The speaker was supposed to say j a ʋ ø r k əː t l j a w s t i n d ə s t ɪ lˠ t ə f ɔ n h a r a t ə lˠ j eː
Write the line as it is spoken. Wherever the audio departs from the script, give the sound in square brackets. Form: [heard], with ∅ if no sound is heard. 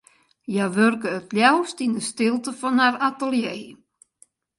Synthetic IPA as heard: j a ʋ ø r k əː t l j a w s t i n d ə s t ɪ lˠ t ə f ɔ n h a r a t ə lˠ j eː